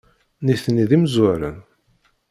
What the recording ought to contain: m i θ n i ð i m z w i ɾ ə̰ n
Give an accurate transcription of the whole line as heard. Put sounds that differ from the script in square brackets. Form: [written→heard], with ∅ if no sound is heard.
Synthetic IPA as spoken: [m→n] i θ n i ð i m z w [i→æ] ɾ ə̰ n